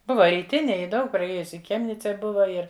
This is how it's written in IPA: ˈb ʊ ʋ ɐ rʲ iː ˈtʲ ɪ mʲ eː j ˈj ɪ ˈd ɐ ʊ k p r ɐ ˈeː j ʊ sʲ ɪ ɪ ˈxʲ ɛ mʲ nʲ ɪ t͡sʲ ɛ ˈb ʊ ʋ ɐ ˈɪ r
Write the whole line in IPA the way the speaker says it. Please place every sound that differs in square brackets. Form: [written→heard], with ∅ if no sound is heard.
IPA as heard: ˈb ʊ ʋ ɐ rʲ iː ˈtʲ ɪ [mʲ→nʲ] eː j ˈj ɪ ˈd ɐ ʊ k p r ɐ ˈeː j ʊ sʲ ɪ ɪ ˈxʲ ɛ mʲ nʲ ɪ t͡sʲ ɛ ˈb ʊ ʋ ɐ ˈɪ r